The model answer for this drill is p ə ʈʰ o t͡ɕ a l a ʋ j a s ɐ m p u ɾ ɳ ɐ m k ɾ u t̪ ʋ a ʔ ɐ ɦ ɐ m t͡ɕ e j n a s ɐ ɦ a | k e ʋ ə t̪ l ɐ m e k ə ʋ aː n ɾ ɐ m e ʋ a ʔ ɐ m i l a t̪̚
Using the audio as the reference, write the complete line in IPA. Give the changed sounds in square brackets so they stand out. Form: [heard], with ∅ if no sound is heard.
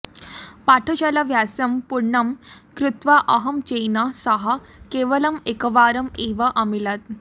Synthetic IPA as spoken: p [a] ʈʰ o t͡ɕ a l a ʋ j a s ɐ m p u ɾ ɳ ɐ m k ɾ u t̪ ʋ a ʔ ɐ ɦ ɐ m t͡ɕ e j n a s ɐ ɦ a | k e ʋ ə [∅] l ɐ m e k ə ʋ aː [∅] ɾ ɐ m e ʋ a ʔ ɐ m i l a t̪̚